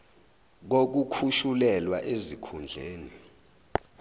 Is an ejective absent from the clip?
yes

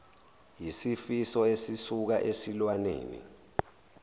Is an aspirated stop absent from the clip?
yes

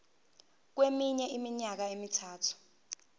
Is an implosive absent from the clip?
yes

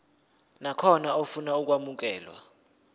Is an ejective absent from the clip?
yes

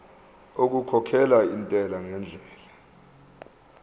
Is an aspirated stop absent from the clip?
no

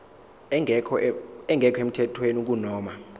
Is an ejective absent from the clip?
yes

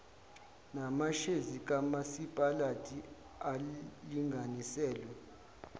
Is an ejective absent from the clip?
no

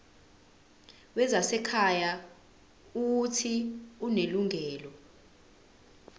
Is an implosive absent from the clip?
yes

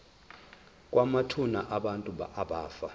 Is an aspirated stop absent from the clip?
no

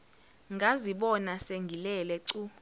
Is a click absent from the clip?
no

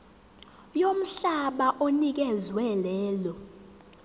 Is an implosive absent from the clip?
no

